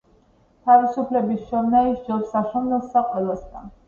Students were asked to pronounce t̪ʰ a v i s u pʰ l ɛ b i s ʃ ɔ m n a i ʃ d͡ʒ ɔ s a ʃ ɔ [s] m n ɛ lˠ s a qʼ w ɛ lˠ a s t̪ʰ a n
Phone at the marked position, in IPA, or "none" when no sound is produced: none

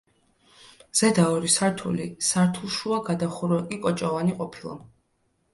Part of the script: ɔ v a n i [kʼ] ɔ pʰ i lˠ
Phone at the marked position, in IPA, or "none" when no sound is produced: qʼ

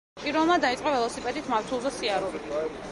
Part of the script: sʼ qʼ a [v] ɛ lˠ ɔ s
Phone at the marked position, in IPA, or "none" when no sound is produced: v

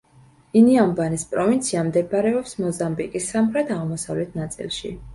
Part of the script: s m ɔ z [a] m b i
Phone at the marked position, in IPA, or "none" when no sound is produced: a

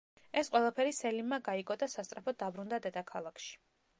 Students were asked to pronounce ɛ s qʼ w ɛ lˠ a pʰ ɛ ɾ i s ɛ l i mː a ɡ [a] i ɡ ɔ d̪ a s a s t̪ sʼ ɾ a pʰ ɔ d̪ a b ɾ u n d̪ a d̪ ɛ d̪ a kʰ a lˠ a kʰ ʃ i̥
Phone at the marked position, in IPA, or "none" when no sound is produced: a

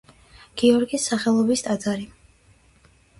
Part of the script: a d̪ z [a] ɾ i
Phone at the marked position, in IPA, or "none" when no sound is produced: a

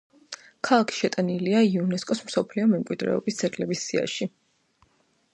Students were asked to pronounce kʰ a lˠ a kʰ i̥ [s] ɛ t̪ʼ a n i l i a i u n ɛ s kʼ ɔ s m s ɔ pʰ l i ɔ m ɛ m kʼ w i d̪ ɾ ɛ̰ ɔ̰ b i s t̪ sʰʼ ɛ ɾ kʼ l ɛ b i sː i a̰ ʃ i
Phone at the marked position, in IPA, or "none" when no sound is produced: ʃ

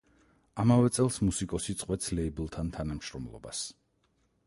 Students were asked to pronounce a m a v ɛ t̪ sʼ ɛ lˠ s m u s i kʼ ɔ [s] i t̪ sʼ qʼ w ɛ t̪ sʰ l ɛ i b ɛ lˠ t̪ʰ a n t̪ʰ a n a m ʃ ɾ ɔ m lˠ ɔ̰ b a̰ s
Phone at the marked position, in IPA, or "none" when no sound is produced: s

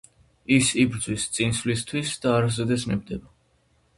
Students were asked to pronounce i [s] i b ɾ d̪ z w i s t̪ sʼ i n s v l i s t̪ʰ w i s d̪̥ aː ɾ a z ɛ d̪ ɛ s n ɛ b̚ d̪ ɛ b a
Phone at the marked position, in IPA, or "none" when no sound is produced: s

